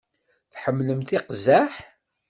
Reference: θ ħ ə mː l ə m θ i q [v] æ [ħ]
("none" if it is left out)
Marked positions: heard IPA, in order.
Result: z, ħ

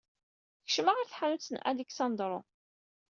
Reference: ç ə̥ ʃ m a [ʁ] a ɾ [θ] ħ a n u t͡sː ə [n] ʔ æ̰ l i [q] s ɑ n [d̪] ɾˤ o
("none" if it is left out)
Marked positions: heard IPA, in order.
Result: ʁ, θ, n, k, d̪

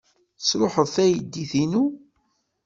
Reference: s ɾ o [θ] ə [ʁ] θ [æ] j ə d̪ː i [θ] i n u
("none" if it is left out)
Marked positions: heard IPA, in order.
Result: ħ, ð, æ, θ

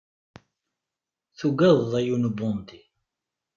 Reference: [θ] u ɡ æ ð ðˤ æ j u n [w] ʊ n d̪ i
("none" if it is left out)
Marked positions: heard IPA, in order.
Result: θ, b

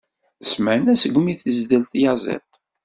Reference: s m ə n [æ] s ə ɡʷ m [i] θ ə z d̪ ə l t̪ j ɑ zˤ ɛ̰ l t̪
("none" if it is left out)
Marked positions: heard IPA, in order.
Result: æ, i

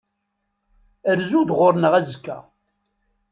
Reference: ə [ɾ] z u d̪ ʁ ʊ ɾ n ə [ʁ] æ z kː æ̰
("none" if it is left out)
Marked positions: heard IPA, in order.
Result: ɾ, ʁ

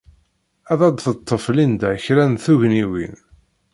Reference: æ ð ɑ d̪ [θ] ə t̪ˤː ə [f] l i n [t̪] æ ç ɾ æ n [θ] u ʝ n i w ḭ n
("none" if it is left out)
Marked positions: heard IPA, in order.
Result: θ, f, d̪, θ

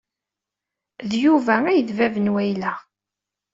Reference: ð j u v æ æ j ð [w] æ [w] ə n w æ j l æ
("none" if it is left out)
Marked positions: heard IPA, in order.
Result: v, v

